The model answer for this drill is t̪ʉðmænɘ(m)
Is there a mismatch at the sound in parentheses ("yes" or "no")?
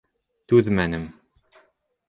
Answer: no